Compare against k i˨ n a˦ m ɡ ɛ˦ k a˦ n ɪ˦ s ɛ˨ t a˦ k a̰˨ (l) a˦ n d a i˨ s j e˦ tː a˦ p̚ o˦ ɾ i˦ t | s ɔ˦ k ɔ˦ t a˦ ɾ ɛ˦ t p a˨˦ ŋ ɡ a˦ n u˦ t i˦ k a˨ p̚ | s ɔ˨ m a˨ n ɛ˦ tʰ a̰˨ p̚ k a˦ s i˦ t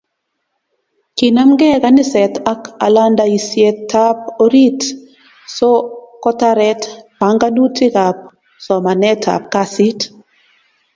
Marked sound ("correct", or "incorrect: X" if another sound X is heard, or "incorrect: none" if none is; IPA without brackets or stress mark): correct